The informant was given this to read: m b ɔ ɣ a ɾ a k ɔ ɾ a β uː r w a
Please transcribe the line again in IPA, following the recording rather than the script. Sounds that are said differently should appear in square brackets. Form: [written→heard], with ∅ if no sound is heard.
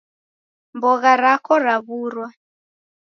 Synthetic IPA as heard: m b ɔ ɣ a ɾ a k ɔ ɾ a β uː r w a